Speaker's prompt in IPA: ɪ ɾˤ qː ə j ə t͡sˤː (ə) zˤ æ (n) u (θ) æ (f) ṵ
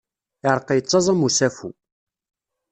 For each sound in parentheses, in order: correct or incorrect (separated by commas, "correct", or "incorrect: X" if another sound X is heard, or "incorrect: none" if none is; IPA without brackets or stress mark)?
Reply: incorrect: ɑ, incorrect: m, incorrect: s, correct